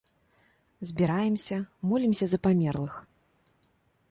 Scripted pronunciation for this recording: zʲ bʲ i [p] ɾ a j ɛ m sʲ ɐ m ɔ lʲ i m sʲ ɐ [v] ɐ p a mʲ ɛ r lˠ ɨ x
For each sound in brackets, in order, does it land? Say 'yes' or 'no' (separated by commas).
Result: no, no